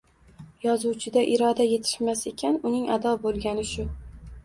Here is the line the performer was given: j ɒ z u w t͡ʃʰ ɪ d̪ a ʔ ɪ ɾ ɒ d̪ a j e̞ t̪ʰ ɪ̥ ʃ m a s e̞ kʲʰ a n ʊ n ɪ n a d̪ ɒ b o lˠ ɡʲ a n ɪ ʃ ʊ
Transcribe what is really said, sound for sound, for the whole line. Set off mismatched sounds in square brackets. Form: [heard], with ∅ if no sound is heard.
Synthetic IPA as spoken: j ɒ z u w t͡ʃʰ ɪ d̪ a ʔ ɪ ɾ ɒ d̪ a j e̞ t̪ʰ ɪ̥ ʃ m a s e̞ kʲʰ a n ʊ n ɪ [ŋ] a d̪ ɒ b o lˠ ɡʲ a n ɪ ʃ ʊ